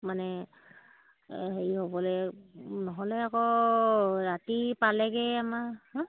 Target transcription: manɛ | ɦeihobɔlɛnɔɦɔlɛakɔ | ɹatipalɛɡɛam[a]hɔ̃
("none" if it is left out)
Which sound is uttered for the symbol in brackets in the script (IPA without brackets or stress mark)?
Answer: a